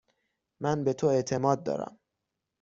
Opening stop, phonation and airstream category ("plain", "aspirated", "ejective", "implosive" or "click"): plain